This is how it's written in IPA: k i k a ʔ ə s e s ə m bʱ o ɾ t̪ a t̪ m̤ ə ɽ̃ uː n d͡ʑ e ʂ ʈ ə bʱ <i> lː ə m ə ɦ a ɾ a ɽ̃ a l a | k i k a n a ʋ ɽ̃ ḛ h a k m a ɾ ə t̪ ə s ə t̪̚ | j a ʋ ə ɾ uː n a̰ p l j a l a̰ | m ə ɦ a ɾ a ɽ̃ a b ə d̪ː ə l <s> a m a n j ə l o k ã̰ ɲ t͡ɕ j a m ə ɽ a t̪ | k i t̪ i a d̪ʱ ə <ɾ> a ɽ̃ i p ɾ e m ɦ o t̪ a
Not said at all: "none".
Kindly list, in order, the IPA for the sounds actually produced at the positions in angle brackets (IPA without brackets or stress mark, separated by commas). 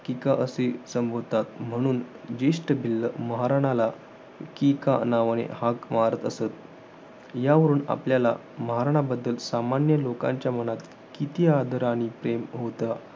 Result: i, s, ɾ